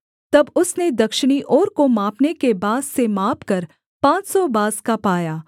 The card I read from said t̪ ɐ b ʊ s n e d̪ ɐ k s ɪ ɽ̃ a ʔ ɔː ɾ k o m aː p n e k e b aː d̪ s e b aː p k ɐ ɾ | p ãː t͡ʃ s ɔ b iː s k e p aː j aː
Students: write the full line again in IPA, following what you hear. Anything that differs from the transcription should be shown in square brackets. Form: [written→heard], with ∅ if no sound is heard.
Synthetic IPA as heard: t̪ ɐ b ʊ s n e d̪ ɐ k [s→ʃ] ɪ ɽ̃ [a→i] ʔ ɔː ɾ k o m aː p n e k e b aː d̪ s e [b→m] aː p k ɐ ɾ | p ãː t͡ʃ s ɔ b [iː→aː] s k [e→a] p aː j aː